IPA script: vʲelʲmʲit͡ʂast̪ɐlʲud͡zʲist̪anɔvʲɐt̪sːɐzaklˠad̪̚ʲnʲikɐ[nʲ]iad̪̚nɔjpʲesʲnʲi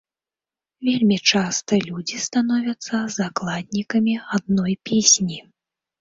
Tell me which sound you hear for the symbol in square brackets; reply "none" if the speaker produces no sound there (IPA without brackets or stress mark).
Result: mʲ